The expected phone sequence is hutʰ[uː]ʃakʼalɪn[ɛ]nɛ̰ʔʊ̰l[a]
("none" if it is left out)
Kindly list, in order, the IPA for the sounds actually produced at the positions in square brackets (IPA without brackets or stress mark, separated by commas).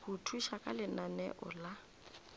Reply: u, a, a